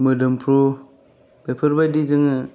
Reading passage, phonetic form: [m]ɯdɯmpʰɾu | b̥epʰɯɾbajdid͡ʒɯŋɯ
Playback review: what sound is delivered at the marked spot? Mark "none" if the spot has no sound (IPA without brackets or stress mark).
m